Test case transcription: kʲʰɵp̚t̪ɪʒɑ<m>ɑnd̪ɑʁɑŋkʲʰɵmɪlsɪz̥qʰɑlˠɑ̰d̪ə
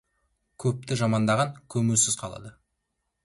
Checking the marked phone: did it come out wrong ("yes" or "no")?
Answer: no